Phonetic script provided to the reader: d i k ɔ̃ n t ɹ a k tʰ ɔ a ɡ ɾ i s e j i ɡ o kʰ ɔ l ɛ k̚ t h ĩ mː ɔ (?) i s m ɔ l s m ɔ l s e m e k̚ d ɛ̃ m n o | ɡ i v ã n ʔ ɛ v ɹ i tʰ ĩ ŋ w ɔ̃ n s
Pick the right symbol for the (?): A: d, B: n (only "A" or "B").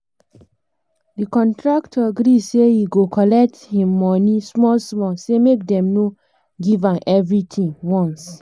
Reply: B